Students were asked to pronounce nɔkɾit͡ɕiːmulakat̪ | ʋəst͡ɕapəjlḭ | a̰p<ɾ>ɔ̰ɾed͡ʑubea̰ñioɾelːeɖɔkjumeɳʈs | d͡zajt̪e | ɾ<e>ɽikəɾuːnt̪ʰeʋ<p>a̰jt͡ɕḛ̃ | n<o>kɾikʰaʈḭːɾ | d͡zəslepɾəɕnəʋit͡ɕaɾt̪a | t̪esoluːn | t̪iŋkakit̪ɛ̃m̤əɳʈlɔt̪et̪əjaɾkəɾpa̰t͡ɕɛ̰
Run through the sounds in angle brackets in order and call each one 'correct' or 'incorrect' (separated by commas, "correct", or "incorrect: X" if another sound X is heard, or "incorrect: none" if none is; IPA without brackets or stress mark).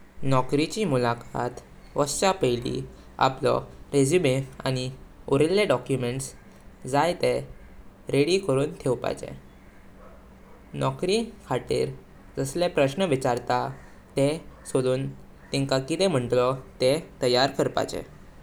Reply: incorrect: l, correct, correct, incorrect: ɔ